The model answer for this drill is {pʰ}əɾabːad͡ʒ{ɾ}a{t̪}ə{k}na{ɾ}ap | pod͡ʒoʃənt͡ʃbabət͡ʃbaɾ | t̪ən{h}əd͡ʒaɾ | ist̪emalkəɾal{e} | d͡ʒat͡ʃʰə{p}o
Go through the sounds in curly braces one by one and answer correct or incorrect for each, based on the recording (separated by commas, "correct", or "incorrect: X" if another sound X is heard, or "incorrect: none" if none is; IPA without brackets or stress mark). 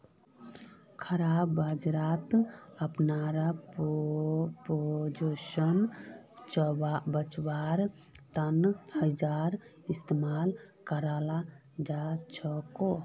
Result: incorrect: kʰ, correct, correct, incorrect: p, correct, correct, incorrect: a, incorrect: k